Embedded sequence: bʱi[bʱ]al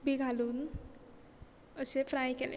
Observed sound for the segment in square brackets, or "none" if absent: ɡʱ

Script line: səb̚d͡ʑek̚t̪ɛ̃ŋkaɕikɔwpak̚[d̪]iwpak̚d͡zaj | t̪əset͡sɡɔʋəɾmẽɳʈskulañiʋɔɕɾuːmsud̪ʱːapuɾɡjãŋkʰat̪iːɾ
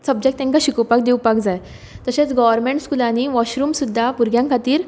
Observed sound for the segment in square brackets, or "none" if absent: d̪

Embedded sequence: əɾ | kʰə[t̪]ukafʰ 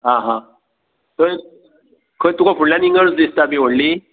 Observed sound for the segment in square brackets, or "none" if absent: t̪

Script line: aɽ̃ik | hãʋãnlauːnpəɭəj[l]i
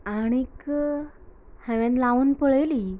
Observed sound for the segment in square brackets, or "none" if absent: l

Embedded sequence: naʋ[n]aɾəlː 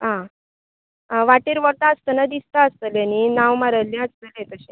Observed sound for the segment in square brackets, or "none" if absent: m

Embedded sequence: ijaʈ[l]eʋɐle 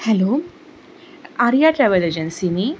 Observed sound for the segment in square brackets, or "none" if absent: ɾ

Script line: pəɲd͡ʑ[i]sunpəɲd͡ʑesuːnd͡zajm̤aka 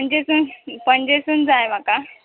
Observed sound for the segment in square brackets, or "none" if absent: e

